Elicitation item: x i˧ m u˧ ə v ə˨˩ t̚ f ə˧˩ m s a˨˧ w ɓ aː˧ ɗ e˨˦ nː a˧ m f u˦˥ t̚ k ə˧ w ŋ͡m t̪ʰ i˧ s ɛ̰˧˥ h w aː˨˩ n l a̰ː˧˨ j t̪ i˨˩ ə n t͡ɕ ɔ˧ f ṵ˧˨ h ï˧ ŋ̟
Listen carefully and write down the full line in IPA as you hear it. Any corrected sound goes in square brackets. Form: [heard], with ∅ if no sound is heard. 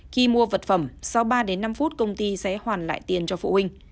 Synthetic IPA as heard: x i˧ m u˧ ə v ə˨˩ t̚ f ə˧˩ m s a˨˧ w ɓ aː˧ ɗ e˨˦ nː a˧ m f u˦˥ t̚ k ə˧ w ŋ͡m [t̪] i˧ s ɛ̰˧˥ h w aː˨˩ n l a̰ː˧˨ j t̪ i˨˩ ə n t͡ɕ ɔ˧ f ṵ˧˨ h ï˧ ŋ̟